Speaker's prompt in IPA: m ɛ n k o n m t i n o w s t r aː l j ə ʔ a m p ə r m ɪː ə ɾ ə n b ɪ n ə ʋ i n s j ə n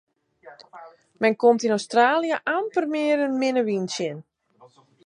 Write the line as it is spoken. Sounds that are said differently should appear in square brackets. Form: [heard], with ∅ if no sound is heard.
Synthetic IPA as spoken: m ɛ n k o [∅] m t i n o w s t r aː l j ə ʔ a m p ə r m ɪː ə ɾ ə n [m] ɪ n ə ʋ i n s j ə n